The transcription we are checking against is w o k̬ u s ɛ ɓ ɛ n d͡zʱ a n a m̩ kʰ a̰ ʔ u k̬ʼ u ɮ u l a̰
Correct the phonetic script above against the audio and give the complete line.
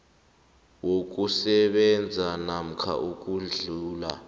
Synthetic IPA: w o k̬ u s ɛ ɓ ɛ n d͡zʱ a n a m̩ kʰ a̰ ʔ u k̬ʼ u ɮ uː l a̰